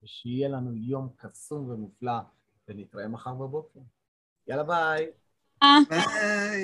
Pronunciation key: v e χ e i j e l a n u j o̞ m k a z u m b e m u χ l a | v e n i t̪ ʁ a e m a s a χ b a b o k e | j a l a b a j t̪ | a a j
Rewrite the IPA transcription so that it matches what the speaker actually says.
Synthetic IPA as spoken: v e ʃ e i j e l a n u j o̞ m k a s u m v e m u f l a | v e n i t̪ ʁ a e m a χ a ʁ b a b o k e | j a l a b a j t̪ | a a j